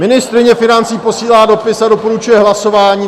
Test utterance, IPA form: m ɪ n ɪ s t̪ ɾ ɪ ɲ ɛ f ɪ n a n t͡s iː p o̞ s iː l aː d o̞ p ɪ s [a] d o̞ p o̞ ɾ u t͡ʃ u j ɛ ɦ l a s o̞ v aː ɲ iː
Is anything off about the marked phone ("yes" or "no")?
no